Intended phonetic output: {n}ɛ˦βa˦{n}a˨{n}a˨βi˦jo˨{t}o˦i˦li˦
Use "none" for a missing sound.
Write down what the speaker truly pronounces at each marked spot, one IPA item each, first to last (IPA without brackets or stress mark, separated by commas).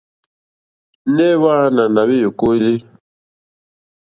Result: n, n, n, k